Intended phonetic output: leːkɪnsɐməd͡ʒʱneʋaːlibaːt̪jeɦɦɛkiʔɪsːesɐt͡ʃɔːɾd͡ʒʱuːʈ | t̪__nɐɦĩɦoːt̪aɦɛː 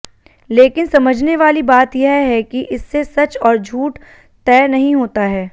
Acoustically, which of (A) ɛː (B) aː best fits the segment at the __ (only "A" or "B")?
A